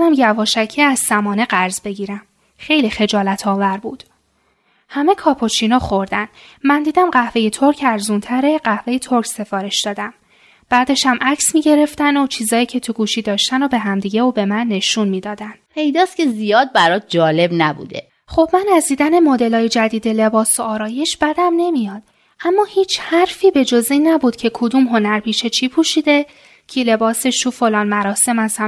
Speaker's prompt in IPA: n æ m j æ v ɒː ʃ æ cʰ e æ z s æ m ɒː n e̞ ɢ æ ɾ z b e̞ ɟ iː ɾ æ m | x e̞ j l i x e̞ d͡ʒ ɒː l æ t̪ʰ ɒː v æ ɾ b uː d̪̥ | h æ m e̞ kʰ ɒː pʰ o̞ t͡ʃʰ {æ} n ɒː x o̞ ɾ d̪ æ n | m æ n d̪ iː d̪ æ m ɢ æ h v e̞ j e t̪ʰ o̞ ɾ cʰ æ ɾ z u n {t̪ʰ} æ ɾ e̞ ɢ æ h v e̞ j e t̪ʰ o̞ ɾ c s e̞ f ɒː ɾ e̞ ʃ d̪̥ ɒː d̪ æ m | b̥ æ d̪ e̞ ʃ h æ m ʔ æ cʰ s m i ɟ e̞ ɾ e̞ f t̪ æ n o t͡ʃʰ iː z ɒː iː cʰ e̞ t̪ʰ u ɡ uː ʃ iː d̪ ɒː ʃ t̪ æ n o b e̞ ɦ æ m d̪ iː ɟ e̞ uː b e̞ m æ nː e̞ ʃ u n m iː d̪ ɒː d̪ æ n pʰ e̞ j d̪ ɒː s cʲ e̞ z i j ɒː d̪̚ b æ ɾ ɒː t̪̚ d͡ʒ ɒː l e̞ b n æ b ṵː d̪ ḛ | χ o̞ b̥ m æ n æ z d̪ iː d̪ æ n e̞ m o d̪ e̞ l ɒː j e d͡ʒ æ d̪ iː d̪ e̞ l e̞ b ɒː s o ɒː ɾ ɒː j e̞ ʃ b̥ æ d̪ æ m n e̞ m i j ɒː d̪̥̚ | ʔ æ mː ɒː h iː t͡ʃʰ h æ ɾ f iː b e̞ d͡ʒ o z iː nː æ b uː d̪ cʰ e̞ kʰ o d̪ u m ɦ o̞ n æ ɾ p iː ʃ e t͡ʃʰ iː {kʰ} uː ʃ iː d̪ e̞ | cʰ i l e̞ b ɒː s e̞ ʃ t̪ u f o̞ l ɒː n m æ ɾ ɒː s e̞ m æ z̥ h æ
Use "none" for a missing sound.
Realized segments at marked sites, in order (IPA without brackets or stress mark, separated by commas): i, t̪ʰ, pʰ